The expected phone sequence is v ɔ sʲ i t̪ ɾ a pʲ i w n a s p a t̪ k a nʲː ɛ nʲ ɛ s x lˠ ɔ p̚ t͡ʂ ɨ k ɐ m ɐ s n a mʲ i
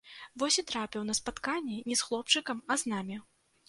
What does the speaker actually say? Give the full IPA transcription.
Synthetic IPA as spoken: v ɔ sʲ i t̪ ɾ a pʲ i w n ɐ s p a t̪ k a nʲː ɛ nʲ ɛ s x lˠ ɔ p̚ t͡ʂ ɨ k ɐ m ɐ z n a mʲ i